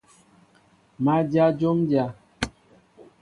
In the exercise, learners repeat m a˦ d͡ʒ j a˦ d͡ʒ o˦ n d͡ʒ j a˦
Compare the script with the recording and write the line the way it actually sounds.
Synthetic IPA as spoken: m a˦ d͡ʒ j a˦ d͡ʒ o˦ m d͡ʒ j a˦

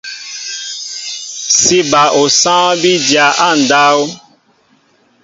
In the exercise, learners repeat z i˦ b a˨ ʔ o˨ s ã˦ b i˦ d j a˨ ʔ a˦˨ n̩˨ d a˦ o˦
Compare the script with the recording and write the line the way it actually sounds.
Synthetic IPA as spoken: s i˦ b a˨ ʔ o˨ s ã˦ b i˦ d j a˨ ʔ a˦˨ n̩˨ d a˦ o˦

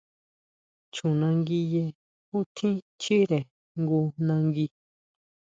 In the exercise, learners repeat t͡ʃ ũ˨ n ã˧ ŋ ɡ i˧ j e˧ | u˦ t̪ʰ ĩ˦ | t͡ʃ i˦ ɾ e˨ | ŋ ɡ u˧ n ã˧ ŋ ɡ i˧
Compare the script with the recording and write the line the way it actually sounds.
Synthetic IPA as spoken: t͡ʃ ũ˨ n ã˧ ŋ ɡ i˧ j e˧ | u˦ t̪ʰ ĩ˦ | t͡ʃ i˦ ɾ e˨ | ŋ ɡ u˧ n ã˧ ŋ ɡ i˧

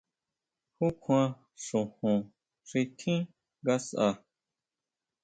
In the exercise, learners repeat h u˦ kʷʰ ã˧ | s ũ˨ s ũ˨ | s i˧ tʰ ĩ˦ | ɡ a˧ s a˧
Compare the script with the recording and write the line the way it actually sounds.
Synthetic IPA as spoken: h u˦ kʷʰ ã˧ | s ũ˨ h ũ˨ | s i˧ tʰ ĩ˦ | ɡ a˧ s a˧

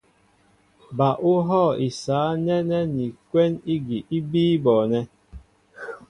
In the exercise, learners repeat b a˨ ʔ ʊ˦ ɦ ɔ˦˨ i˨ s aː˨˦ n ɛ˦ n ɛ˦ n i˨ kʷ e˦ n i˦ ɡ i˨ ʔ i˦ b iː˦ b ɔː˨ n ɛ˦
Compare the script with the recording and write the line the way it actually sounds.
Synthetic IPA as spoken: b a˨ ʔ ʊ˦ ɦ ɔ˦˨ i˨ s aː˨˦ n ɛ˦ n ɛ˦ n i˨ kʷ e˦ n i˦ ɡ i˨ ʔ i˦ b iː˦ b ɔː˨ n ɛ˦

